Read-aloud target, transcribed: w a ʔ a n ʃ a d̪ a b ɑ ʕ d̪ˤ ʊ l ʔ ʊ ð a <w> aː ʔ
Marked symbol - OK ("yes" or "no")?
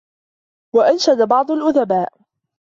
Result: no